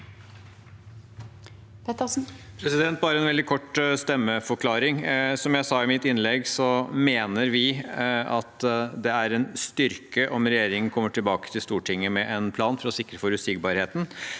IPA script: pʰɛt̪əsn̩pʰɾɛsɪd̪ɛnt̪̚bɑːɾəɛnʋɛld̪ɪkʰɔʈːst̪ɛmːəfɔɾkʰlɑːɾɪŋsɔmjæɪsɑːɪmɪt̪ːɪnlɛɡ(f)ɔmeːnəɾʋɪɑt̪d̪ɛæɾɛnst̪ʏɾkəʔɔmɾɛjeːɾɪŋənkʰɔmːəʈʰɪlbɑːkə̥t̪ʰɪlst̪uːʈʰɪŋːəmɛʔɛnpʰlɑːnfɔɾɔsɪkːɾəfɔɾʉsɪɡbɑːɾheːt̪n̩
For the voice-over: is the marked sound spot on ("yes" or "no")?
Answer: no